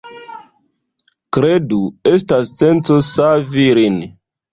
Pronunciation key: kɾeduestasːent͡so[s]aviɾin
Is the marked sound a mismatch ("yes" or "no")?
no